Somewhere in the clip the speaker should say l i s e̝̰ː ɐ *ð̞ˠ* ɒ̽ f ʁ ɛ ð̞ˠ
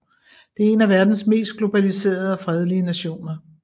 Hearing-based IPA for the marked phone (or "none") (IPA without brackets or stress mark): ð̞ˠ